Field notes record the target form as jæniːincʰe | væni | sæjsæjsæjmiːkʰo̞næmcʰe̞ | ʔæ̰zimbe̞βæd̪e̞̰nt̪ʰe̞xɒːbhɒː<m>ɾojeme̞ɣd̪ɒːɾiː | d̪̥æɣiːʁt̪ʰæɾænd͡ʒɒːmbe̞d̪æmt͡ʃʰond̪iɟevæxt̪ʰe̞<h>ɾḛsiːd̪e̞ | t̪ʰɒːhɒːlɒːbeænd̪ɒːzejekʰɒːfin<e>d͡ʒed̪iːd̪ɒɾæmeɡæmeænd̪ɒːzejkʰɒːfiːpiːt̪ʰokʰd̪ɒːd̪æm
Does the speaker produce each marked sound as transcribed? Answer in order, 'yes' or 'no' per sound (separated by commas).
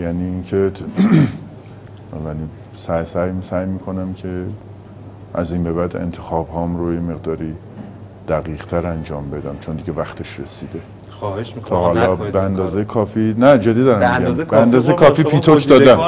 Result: yes, no, no